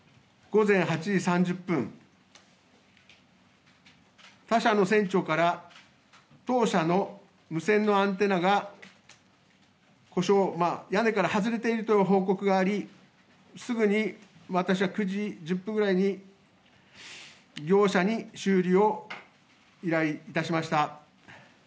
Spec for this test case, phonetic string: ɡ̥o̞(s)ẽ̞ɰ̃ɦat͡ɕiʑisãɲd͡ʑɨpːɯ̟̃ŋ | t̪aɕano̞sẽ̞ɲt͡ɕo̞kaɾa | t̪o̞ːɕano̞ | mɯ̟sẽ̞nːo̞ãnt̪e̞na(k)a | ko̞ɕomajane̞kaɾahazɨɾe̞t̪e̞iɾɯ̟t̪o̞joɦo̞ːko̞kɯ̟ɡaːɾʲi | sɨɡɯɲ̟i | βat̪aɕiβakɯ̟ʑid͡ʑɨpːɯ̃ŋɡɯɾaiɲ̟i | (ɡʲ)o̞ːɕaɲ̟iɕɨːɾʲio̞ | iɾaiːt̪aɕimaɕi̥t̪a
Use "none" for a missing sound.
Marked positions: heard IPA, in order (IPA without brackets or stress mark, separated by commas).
z, ɡ, ɡʲ